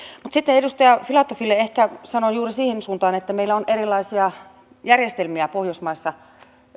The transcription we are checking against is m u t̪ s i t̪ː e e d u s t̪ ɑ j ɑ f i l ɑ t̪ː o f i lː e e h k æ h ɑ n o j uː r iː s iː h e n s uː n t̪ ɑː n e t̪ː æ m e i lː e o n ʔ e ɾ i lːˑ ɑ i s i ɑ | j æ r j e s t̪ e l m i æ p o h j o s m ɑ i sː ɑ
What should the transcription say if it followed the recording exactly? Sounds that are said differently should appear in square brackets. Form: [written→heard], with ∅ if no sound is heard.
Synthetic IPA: m u t̪ s i t̪ː e e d u s t̪ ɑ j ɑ f i l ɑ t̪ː o f i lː e e h k æ [h→s] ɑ n o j uː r [iː→i] s iː h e n s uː n t̪ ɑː n e t̪ː æ m e i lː [e→æ] o n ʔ e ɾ i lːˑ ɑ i s i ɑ | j æ r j e s t̪ e l m i æ p o h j o s m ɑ i sː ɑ